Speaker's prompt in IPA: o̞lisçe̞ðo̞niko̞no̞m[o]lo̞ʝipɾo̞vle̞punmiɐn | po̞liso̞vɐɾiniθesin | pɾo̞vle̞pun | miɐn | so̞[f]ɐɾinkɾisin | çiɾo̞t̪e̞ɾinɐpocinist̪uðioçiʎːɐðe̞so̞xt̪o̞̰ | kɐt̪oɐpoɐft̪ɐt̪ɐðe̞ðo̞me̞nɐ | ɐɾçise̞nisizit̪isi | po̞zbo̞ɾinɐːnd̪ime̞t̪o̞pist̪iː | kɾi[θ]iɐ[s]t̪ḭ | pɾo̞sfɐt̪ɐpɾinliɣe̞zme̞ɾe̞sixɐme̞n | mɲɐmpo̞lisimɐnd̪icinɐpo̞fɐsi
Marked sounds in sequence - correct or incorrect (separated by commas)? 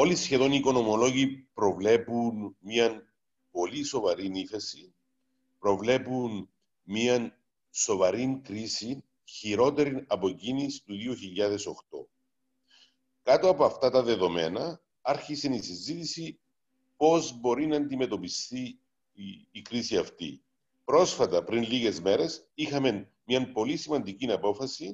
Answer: correct, incorrect, incorrect, incorrect